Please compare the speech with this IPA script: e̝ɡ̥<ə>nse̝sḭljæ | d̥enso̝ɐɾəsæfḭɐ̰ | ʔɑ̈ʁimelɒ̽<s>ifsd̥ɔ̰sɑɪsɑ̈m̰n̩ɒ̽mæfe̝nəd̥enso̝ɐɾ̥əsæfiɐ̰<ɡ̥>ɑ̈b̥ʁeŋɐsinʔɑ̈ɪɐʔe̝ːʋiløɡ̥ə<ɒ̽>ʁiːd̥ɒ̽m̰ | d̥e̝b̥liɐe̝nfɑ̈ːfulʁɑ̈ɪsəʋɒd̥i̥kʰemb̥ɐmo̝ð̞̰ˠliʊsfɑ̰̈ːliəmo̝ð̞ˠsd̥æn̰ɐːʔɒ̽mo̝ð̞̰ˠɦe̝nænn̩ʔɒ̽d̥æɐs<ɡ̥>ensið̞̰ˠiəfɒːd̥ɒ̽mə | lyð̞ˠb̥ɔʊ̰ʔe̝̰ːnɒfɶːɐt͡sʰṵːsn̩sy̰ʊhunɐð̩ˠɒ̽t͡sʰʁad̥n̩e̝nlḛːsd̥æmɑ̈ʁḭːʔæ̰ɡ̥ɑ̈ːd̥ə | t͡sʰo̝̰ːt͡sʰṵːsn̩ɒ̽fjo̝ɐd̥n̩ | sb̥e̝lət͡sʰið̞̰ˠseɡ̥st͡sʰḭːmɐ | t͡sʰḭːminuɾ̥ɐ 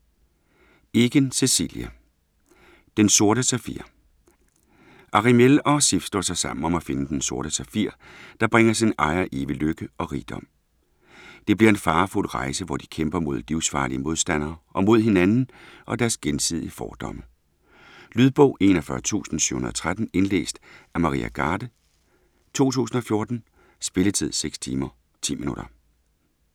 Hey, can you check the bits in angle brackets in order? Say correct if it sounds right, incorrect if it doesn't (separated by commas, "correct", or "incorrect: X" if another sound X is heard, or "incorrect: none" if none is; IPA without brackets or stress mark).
correct, correct, incorrect: d̥, correct, correct